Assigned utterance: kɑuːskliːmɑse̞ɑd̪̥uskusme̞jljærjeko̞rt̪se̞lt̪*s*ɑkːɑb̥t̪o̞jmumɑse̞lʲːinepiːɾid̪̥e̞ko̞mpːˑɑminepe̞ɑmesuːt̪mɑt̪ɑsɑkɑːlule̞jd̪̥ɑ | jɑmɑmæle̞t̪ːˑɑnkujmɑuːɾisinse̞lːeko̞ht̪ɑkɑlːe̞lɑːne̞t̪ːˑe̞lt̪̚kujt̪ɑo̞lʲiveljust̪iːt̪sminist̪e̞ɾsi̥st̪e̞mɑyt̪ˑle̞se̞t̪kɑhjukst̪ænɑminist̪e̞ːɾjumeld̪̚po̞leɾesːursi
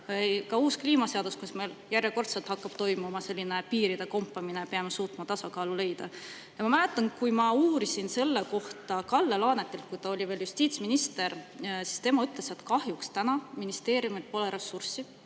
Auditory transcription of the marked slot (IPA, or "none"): h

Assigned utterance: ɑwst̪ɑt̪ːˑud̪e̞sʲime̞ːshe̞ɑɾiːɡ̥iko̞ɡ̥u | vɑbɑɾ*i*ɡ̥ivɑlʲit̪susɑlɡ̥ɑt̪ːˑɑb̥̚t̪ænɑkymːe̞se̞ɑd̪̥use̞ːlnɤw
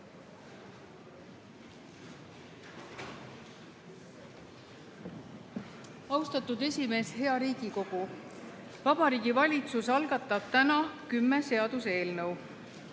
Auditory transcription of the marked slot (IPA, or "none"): iː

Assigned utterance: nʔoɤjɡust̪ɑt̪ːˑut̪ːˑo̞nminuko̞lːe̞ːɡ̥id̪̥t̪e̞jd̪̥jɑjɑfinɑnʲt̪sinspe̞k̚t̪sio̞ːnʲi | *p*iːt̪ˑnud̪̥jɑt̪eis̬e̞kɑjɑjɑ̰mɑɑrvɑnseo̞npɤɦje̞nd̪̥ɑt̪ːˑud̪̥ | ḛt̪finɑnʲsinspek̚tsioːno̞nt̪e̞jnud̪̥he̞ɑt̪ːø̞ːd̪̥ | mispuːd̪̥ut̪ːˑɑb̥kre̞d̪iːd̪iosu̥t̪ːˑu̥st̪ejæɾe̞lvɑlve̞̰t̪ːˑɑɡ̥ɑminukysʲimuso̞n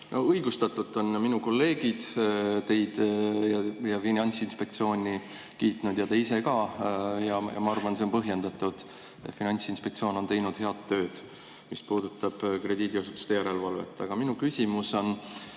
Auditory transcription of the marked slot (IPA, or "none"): k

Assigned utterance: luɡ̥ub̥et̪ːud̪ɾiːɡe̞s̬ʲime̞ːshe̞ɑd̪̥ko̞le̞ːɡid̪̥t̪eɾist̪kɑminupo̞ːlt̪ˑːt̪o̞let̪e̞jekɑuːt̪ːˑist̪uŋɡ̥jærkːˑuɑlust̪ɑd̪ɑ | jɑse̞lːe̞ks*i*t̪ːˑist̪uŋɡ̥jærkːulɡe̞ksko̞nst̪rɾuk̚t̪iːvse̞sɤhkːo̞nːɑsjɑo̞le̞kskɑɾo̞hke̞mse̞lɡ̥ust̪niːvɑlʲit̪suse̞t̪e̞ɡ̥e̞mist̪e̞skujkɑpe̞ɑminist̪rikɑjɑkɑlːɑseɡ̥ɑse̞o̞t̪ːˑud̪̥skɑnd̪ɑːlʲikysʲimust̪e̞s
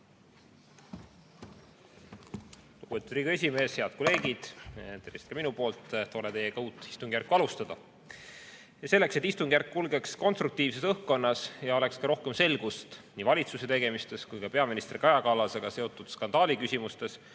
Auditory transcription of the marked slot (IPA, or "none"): e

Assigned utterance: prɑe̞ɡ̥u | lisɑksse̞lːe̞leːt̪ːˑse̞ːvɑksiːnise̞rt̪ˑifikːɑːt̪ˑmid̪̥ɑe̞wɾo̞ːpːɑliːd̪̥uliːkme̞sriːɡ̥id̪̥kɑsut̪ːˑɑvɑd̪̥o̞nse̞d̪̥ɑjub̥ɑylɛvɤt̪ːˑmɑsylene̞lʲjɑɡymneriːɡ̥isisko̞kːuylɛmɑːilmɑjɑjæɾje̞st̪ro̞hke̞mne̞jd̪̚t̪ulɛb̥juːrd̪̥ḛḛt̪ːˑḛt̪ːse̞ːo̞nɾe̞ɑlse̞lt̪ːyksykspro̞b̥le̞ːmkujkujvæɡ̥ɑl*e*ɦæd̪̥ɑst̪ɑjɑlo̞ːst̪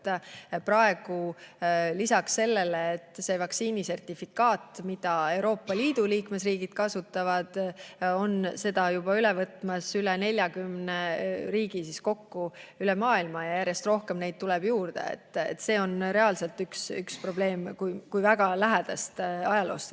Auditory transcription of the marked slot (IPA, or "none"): æ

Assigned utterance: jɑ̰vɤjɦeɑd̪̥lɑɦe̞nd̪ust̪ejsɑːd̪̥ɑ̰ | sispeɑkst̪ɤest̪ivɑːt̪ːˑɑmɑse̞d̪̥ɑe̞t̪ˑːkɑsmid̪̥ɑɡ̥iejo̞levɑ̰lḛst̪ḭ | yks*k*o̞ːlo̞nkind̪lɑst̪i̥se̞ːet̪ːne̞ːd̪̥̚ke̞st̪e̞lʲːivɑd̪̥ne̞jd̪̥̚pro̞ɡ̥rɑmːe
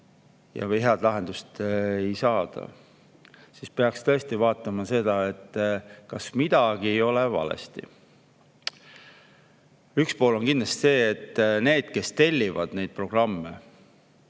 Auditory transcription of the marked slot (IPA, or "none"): p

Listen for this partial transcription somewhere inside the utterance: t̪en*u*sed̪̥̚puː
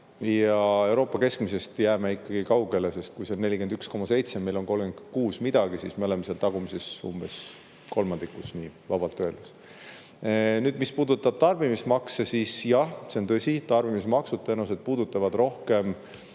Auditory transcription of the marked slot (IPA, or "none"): u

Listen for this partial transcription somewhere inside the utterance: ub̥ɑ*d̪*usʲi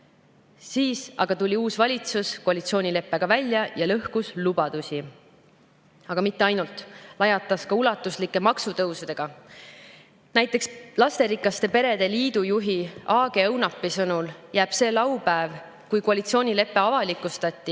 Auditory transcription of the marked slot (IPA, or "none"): d̪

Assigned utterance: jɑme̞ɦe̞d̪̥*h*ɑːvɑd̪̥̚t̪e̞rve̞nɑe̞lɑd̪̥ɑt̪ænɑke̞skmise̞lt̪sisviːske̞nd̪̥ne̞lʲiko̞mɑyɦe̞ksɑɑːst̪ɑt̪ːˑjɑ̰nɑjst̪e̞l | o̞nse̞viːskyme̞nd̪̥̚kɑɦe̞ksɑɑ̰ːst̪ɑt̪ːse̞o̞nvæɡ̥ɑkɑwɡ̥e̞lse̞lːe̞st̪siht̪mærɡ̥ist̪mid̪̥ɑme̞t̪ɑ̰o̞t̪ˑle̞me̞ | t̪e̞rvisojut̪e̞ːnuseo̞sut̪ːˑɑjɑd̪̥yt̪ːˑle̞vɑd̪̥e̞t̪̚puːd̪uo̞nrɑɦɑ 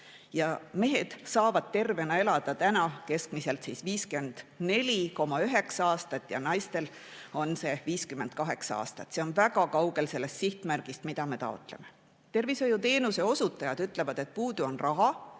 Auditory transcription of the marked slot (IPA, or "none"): s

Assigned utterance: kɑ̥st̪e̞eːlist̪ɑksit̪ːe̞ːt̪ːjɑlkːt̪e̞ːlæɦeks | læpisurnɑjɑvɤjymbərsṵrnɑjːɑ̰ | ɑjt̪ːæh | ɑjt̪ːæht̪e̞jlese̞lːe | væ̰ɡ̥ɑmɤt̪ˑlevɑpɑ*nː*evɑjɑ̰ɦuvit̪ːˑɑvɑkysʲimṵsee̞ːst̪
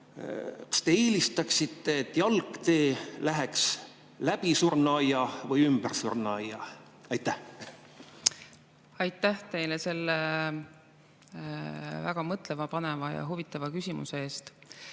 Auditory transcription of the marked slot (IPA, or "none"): n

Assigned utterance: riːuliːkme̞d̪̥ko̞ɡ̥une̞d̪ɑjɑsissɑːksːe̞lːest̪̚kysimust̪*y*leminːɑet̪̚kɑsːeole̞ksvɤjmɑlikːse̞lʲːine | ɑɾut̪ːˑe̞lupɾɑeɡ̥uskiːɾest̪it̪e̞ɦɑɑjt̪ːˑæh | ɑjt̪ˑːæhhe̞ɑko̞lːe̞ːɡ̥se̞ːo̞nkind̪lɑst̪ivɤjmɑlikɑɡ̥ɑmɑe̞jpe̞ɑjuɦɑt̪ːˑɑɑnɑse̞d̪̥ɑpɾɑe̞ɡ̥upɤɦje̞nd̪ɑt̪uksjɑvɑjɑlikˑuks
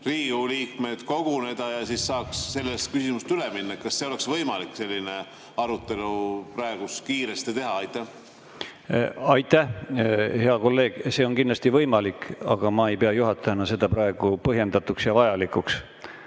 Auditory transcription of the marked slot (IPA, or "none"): y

